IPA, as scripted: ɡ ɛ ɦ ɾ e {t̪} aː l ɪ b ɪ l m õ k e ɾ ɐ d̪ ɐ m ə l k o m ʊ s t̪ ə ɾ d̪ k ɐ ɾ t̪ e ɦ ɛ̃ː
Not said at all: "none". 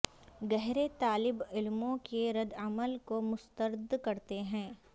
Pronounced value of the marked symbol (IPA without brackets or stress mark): t̪